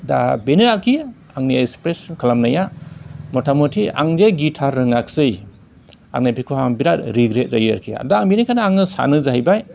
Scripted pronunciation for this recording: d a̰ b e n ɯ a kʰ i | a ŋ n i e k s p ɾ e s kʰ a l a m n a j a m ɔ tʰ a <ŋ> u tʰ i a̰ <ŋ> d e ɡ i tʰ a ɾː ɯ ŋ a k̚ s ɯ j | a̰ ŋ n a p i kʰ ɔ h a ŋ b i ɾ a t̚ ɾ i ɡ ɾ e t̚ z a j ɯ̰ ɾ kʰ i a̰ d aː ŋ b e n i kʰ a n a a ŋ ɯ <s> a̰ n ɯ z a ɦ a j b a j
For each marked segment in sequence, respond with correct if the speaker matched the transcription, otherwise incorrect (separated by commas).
incorrect, correct, correct